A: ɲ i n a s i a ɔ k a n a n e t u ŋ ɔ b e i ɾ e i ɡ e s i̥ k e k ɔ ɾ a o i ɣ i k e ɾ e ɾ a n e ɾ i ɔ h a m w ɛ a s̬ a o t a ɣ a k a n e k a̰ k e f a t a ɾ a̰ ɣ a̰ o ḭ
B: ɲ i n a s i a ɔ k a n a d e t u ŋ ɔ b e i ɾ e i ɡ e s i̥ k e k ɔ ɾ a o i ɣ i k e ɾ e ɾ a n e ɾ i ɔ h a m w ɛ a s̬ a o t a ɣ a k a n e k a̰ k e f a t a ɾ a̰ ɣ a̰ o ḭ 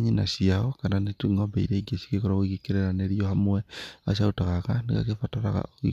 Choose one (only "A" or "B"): A